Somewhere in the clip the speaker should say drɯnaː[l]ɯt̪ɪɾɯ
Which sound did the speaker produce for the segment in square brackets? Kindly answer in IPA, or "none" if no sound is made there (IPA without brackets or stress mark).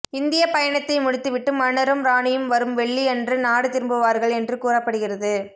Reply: ɽ